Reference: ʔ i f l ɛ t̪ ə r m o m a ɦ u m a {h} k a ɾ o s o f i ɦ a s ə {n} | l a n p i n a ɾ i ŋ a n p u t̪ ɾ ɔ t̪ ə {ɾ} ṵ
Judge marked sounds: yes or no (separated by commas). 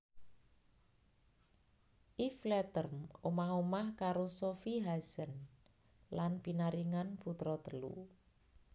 yes, yes, no